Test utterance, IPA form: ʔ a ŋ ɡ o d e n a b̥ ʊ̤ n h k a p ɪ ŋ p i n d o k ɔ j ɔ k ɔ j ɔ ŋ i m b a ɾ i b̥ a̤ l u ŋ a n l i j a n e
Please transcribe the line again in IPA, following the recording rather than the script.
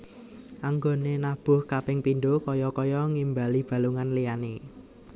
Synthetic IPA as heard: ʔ a ŋ ɡ o n e n a b̥ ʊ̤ h k a p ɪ ŋ p i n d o k ɔ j ɔ k ɔ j ɔ ŋ i m b a l i b̥ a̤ l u ŋ a n l i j a n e

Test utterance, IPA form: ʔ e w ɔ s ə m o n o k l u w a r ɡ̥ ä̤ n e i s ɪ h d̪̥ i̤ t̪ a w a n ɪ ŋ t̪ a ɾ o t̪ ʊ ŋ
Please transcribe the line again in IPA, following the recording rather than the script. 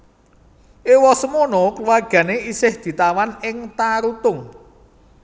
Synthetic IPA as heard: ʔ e w ɔ s ə m o n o k l u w a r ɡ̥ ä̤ n e i s ɪ h d̪̥ i̤ t̪ a w a n ɪ ŋ t̪ a ɾ u t̪ ʊ ŋ

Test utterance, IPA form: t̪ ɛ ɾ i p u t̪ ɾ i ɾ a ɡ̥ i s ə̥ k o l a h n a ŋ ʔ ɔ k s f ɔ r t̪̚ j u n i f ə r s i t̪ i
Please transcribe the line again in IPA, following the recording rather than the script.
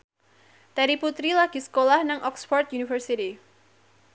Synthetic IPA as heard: t̪ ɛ ɾ i p u t̪ ɾ i l a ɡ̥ i s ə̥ k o l a h n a ŋ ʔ ɔ k s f ɔ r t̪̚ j u n i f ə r s i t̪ i

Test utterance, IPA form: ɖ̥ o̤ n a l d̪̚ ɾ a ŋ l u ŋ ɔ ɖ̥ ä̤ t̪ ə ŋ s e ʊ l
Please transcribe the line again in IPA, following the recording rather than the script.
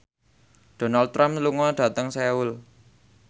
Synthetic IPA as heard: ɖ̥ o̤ n a l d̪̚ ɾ a m l u ŋ ɔ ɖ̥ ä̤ t̪ ə ŋ s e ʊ l

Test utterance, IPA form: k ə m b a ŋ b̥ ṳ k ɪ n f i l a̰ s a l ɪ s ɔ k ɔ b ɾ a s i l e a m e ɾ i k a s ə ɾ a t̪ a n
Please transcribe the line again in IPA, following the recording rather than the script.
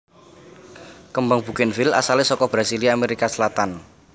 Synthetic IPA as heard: k ə m b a ŋ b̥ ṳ k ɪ n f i l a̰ s a l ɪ s ɔ k ɔ b ɾ a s i l i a m e ɾ i k a s ə l a t̪ a n

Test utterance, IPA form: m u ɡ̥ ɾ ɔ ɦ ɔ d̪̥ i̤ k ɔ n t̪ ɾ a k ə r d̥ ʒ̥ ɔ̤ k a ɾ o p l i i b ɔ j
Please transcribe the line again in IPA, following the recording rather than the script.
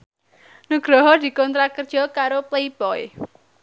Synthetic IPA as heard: n u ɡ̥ ɾ ɔ ɦ ɔ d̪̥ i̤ k ɔ n t̪ ɾ a k ə r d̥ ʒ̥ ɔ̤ k a ɾ o p l e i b ɔ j

